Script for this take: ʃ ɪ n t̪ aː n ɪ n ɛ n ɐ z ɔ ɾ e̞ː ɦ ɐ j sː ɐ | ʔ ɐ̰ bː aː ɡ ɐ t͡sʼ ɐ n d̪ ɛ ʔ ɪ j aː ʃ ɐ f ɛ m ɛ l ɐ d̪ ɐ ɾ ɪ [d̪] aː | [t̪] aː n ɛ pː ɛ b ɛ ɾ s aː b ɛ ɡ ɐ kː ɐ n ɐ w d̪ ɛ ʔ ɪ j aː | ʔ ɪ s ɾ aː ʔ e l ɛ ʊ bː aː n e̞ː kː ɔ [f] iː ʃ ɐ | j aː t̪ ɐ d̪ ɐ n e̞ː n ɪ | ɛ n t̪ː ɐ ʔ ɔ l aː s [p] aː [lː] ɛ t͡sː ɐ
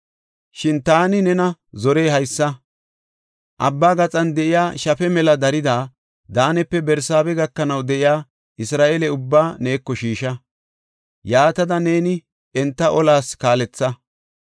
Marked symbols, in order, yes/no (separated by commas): yes, no, no, no, no